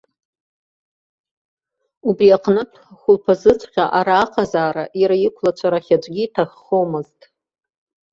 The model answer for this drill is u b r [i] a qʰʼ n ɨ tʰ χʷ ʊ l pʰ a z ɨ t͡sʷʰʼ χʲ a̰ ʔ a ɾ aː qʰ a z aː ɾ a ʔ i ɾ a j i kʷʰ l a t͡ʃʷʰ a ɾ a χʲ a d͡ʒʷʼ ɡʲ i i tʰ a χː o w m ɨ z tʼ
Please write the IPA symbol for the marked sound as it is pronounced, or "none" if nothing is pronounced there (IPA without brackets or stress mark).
i